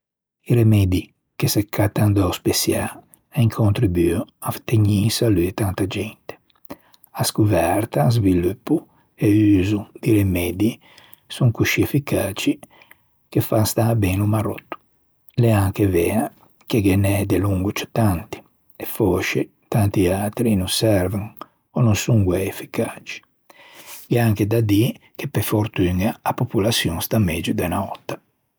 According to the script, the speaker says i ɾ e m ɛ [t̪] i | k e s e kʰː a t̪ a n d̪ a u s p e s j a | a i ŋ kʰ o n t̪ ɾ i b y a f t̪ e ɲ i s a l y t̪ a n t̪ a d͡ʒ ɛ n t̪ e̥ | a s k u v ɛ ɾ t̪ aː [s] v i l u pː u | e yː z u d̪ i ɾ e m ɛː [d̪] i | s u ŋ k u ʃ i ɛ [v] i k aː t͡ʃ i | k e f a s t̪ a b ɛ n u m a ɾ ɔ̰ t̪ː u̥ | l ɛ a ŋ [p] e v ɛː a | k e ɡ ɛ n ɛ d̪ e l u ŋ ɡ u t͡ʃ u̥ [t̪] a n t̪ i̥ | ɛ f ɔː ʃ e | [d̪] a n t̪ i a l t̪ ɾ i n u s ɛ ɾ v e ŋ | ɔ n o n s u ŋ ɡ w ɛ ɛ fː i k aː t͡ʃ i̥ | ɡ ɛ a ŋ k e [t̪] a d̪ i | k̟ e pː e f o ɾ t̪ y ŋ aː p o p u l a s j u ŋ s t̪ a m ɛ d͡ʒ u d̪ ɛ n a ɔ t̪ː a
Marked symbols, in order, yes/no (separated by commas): no, no, yes, no, no, yes, no, no